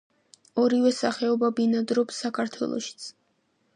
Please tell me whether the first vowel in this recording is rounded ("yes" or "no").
yes